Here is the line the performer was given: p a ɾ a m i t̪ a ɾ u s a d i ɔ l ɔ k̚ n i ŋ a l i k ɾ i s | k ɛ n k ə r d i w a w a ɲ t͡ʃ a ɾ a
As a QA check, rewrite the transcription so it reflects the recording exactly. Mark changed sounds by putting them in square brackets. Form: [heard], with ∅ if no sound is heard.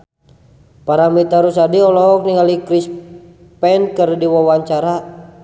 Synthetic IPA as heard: p a ɾ a m i t̪ a ɾ u s a d i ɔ l ɔ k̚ n i ŋ a l i k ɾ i s | [p] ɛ n k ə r d i w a w a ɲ t͡ʃ a ɾ a